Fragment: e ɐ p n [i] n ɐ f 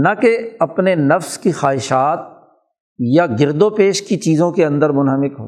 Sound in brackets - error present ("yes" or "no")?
yes